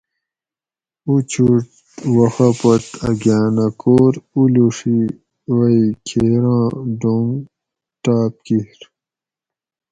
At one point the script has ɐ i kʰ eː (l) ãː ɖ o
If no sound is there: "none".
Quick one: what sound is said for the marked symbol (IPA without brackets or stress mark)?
ɾ